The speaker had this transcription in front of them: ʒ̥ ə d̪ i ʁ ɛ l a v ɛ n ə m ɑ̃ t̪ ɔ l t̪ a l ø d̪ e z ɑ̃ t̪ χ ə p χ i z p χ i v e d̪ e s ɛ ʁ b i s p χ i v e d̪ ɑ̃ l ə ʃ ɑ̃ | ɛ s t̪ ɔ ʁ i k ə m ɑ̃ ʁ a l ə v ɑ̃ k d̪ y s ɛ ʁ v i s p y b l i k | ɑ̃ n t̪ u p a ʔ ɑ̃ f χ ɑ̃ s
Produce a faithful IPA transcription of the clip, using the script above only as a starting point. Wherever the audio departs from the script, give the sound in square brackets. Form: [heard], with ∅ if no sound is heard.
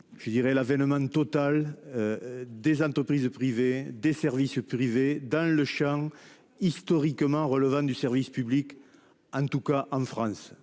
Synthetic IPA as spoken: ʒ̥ ə d̪ i ʁ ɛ l a v ɛ n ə m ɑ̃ t̪ ɔ [∅] t̪ a l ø d̪ e z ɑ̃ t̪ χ ə p χ i z p χ i v e d̪ e s ɛ ʁ [v] i s p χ i v e d̪ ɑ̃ l ə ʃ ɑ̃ | [i] s t̪ ɔ ʁ i k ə m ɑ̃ ʁ [ə] l ə v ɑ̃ [∅] d̪ y s ɛ ʁ v i s p y b l i k | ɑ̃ n t̪ u [k] a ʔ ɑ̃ f χ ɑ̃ s